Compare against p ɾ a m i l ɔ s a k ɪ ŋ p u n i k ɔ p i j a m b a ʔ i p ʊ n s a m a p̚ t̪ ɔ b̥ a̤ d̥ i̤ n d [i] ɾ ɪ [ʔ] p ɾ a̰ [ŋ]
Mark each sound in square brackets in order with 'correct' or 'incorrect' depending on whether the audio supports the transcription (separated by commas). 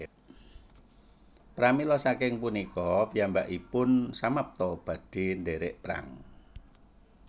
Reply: incorrect, correct, correct